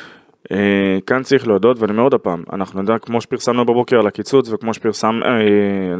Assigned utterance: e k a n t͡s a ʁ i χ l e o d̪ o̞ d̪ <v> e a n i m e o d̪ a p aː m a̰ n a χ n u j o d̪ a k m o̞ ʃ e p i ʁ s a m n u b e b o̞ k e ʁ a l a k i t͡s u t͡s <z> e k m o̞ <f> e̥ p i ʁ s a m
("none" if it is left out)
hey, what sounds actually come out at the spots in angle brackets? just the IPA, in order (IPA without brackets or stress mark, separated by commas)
v, v, ʃ